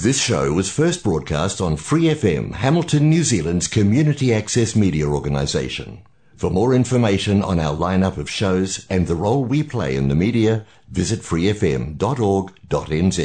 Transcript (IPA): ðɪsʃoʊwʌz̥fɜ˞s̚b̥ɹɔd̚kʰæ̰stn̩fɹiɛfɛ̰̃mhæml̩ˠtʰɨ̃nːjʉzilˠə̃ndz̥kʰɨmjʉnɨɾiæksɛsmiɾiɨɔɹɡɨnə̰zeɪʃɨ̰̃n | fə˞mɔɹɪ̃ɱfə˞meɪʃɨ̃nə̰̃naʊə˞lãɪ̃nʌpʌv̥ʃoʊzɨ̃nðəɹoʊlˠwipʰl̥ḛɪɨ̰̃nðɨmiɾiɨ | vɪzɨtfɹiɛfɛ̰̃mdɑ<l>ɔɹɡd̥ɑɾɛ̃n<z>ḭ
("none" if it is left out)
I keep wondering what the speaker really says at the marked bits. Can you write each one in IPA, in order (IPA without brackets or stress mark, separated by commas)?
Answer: ɾ, z